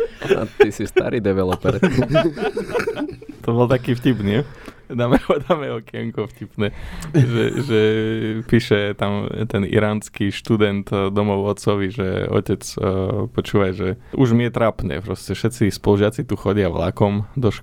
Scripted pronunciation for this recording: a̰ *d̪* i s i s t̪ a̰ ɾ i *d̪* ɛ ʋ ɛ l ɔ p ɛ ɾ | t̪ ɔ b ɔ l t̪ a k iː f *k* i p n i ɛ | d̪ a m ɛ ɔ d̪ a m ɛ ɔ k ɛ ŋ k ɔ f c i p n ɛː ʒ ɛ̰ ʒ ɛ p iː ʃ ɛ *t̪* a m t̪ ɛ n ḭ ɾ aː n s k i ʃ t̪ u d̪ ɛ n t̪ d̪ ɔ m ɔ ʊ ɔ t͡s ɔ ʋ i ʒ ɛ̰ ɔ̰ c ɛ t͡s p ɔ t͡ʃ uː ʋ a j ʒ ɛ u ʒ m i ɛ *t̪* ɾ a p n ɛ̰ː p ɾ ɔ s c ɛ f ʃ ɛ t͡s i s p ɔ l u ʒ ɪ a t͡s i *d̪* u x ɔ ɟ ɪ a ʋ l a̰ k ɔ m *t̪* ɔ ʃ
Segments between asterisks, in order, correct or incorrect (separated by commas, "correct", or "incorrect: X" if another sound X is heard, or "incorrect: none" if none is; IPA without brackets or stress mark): incorrect: t̪, correct, incorrect: c, correct, correct, incorrect: t̪, incorrect: d̪